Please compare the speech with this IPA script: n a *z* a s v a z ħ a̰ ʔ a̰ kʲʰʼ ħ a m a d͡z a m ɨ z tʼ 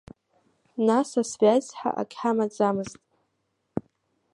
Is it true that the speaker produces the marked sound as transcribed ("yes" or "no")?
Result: no